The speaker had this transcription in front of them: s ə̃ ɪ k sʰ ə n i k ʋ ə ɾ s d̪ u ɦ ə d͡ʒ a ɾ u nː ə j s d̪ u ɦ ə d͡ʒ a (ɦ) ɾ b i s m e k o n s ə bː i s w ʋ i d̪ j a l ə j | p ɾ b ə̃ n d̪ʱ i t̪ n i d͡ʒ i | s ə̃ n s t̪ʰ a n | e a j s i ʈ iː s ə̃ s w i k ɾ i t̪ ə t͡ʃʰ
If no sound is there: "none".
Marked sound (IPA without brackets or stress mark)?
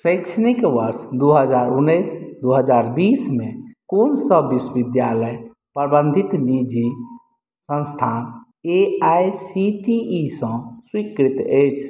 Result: none